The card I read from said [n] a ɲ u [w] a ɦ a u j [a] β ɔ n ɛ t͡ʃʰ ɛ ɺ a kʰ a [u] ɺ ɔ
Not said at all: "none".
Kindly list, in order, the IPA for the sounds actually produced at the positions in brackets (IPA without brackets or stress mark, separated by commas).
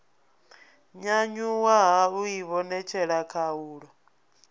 ɲ, w, i, uː